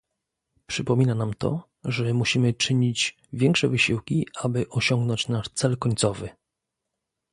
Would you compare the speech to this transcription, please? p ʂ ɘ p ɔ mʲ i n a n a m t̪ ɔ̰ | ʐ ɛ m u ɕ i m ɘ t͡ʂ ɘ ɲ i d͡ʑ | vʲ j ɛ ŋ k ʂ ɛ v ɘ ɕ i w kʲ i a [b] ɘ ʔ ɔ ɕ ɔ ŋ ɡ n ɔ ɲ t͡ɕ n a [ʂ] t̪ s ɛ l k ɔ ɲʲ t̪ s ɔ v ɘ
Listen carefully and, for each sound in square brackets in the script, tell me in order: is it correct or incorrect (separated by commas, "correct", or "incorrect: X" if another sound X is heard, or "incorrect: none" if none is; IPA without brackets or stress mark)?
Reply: correct, correct